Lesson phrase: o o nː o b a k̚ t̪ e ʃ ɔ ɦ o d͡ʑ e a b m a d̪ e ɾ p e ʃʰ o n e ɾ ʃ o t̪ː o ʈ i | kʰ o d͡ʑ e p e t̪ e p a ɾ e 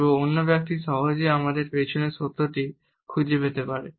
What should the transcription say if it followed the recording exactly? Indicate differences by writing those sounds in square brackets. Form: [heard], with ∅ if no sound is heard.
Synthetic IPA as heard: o o nː o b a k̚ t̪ [i] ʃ ɔ ɦ o d͡ʑ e a [∅] m a d̪ e ɾ p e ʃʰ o n e ɾ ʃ o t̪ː o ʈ i | kʰ [u] d͡ʑ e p e t̪ e p a ɾ e